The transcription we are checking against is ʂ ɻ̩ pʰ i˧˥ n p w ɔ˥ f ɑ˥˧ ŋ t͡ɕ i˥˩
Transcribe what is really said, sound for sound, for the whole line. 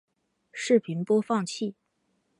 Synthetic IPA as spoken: ʂ ɻ̩ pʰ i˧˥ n p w ɔ˥ f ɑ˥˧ ŋ t͡ɕʰ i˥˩